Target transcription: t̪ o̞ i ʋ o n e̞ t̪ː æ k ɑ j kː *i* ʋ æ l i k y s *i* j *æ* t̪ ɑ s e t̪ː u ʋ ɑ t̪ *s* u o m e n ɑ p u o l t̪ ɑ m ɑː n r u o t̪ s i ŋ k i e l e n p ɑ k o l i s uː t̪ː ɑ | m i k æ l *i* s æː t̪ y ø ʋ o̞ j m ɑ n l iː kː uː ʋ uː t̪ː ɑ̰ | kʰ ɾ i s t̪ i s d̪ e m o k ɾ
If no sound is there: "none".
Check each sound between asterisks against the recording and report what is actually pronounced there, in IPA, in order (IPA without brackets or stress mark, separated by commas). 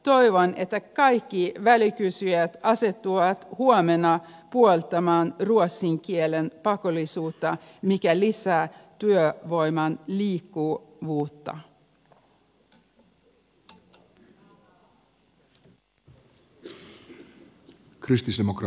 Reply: i, y, æ, h, i